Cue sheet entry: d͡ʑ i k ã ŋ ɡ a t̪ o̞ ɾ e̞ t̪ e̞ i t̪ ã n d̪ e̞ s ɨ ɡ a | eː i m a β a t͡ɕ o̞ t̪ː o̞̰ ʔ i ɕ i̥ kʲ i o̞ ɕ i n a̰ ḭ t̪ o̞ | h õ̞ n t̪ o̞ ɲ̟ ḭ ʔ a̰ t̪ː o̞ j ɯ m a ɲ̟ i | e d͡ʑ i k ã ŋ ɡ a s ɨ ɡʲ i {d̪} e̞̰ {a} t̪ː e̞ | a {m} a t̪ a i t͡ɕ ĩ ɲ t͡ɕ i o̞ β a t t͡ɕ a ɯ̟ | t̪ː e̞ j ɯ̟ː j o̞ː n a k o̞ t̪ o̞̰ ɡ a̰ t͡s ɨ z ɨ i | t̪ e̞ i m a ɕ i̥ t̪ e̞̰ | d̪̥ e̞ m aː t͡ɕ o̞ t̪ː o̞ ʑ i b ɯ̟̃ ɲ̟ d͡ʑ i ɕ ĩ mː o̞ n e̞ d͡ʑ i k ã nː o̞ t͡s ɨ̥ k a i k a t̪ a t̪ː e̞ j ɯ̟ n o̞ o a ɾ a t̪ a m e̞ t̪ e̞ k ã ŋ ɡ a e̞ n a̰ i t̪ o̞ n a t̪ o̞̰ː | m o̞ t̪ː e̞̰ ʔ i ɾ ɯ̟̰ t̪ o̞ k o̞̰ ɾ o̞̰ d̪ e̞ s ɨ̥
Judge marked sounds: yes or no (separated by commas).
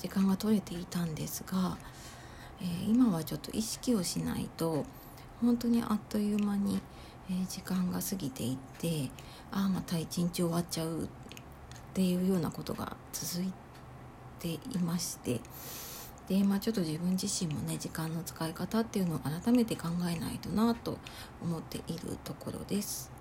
no, no, yes